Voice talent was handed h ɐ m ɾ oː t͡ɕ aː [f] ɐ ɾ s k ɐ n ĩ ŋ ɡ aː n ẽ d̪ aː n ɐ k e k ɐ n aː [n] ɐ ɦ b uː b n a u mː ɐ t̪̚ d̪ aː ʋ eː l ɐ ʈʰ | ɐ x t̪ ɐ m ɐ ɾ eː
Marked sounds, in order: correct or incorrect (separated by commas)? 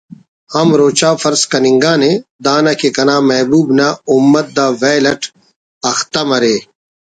correct, incorrect